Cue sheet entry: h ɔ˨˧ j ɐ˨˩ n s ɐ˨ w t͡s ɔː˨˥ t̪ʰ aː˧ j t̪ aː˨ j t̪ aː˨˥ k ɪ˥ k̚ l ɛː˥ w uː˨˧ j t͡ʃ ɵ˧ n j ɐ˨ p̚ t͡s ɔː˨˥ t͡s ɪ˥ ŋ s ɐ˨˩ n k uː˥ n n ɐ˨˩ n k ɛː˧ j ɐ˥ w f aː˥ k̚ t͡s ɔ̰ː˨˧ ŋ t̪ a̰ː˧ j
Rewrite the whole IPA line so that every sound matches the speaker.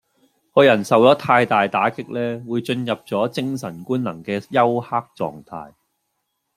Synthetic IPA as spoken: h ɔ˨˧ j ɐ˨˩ n s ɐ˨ w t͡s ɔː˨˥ t̪ʰ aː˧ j t̪ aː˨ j t̪ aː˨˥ k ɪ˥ k̚ l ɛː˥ w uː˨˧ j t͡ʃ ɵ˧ n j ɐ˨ p̚ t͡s ɔː˨˥ t͡s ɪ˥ ŋ s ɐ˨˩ n k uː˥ n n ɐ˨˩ ŋ k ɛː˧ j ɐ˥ w h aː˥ k̚ t͡s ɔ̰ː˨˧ ŋ t̪ʰ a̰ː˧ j